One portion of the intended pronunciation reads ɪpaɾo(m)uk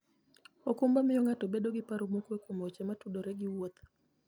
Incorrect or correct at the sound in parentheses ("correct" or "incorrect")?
correct